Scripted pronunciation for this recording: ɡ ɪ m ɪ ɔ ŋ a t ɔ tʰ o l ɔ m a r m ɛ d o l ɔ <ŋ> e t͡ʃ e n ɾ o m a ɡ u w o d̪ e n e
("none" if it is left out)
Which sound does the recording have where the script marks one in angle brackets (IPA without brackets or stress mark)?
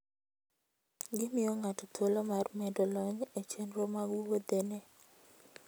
ɲ